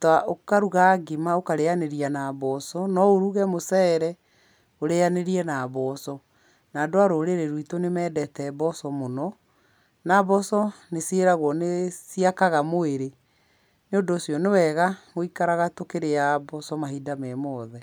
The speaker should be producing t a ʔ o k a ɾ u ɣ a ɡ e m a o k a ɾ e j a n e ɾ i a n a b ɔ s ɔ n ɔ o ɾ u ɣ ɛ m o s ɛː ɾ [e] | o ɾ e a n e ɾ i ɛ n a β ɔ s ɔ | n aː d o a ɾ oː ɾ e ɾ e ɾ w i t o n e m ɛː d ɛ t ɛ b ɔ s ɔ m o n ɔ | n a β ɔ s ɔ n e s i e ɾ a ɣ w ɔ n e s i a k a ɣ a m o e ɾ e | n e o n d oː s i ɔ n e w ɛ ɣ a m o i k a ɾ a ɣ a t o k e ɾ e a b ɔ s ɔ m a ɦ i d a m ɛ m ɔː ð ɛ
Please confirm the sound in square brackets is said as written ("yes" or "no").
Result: no